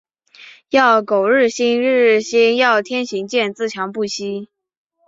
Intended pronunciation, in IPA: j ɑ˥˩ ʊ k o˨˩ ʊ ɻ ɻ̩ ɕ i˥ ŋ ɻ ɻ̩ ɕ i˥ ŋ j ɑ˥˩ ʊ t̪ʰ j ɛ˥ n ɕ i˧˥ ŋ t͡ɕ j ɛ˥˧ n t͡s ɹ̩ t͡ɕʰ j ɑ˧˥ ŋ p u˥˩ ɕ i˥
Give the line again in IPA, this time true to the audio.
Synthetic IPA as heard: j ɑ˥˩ ʊ k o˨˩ ʊ ɻ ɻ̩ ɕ i˥ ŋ ɻ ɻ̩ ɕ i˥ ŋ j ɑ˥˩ ʊ t̪ʰ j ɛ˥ n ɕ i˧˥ ŋ t͡ɕ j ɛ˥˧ n t͡s ɹ̩ t͡ɕʰ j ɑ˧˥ ŋ p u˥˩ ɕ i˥